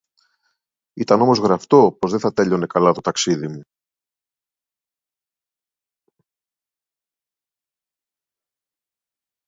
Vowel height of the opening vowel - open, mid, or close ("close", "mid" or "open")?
close